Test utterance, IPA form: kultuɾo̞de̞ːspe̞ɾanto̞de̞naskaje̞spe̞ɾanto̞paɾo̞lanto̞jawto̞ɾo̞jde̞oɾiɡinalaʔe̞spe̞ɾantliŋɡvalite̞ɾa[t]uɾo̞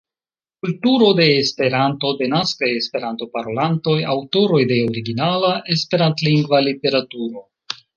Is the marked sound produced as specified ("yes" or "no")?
yes